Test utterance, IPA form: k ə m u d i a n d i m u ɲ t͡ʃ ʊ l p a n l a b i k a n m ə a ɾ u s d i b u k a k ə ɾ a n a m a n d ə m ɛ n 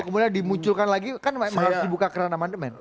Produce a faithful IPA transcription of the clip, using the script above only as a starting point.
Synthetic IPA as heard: k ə m u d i a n d i m u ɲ t͡ʃ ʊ l k a n l a ɡ i k a n m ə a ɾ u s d i b u k a k ə ɾ a n a m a n d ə m ɛ n